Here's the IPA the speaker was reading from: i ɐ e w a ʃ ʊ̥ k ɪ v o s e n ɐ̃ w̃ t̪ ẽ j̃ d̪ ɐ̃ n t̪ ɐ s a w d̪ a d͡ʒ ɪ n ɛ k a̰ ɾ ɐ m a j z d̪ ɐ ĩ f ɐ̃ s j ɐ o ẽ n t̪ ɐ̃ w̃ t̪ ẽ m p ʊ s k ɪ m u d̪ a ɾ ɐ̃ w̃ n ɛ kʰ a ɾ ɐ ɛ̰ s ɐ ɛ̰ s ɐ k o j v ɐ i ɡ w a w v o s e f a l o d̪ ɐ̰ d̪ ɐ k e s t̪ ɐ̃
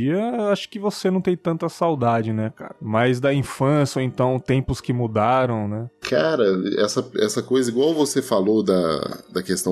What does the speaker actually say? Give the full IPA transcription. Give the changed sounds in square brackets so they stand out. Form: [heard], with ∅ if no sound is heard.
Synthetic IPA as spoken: i ɐ e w a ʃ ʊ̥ k ɪ v o s e n ɐ̃ w̃ t̪ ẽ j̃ [t̪] ɐ̃ n t̪ ɐ s a w d̪ a d͡ʒ ɪ n ɛ k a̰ ɾ ɐ m a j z d̪ ɐ ĩ f ɐ̃ s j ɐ o ẽ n t̪ ɐ̃ w̃ t̪ ẽ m p ʊ s k ɪ m u d̪ a ɾ ɐ̃ w̃ n ɛ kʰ a ɾ ɐ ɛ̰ s ɐ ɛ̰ s ɐ k o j [z] ɐ i ɡ w a w v o s e f a l o d̪ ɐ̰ d̪ ɐ k e s t̪ ɐ̃